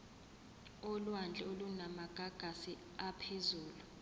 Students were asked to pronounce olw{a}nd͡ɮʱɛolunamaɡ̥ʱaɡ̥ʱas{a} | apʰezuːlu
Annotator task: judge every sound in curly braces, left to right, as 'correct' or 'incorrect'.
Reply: correct, incorrect

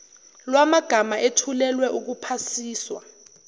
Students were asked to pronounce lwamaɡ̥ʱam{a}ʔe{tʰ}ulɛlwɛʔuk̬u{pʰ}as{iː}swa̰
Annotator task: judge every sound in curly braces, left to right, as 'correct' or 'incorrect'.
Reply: correct, correct, correct, correct

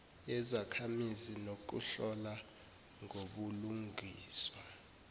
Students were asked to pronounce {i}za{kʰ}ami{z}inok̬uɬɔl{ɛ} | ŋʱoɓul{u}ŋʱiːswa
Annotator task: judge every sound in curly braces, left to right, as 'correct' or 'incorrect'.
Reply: incorrect, correct, correct, incorrect, correct

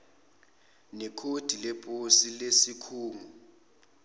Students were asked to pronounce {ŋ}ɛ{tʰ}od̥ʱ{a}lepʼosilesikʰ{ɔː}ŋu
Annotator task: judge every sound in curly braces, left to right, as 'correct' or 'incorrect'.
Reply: incorrect, incorrect, incorrect, incorrect

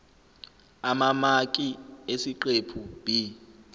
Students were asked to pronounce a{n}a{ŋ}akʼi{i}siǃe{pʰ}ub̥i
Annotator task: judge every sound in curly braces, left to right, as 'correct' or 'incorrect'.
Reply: incorrect, incorrect, incorrect, correct

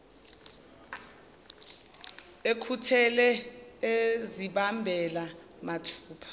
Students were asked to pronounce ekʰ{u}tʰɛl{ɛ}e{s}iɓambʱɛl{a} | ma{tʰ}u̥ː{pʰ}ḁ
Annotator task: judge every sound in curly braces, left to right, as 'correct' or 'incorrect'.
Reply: correct, correct, incorrect, correct, correct, correct

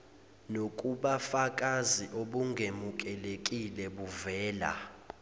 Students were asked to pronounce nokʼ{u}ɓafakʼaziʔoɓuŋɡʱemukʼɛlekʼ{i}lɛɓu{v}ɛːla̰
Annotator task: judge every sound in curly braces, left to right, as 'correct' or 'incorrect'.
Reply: correct, correct, correct

